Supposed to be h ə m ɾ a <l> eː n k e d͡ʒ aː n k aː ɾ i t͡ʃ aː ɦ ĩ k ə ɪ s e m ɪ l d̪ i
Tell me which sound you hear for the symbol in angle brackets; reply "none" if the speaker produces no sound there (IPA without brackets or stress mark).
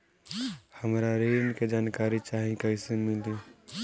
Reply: ɾ